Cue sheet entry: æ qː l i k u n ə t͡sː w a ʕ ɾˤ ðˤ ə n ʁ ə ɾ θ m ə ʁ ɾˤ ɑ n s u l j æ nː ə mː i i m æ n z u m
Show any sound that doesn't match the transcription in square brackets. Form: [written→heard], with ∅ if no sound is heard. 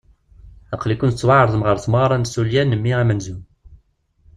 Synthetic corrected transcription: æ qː l i k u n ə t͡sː w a ʕ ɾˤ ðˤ ə [n→m] ʁ ə ɾ θ m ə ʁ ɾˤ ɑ n s u l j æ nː ə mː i [i→æ] m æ n z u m